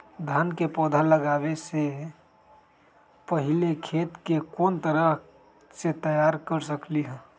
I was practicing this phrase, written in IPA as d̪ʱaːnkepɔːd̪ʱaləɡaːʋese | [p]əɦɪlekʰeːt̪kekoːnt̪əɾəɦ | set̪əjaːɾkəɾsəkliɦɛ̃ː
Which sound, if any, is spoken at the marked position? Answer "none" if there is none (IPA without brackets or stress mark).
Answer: p